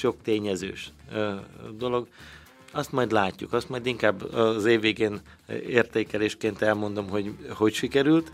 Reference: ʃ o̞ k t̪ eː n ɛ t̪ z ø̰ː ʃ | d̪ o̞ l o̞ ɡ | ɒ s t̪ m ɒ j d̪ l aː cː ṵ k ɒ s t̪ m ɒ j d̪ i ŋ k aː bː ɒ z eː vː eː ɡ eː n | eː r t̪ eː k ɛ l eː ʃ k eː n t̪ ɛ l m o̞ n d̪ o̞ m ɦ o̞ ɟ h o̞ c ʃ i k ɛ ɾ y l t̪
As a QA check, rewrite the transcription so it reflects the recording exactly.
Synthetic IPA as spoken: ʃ o̞ k t̪ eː ɲ ɛ z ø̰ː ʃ | d̪ o̞ l o̞ ɡ | ɒ s t̪ m ɒ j d̪ l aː cː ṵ k ɒ s t̪ m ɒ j d̪ i ŋ k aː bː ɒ z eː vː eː ɡ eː n | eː r t̪ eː k ɛ l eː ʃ k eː n t̪ ɛ l m o̞ n d̪ o̞ m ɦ o̞ ɟ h o̞ c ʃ i k ɛ ɾ y l t̪